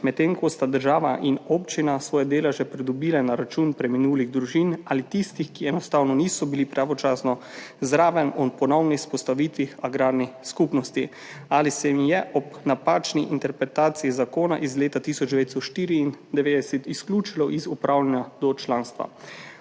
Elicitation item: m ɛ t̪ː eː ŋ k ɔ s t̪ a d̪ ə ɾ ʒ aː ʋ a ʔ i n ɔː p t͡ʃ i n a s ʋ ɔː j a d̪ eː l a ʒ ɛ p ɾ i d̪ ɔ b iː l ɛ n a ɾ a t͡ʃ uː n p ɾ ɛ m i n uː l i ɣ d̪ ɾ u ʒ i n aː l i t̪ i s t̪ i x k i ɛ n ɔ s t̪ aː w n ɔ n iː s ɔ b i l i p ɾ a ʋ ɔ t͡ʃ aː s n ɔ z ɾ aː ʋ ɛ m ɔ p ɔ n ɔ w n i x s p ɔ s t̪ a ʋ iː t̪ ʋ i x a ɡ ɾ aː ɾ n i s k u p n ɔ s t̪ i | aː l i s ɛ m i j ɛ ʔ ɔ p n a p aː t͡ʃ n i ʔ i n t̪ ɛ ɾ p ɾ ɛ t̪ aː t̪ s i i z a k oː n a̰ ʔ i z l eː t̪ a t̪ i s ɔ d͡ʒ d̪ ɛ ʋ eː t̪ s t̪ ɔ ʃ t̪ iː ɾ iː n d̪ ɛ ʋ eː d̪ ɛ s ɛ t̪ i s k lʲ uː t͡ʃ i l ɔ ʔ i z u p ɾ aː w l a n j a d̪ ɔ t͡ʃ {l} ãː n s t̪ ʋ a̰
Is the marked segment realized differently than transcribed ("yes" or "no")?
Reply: no